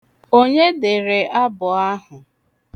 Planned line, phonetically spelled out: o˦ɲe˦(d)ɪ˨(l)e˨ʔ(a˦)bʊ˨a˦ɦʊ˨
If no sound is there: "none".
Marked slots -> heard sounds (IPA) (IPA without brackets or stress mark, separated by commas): d, ɾ, a˦